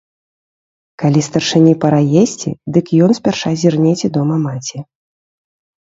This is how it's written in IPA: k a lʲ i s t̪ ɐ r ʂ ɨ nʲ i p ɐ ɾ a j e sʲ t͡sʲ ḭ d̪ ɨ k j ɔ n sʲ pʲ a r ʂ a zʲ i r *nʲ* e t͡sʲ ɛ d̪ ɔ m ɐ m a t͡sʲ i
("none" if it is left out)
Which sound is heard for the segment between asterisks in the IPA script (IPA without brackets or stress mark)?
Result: nʲ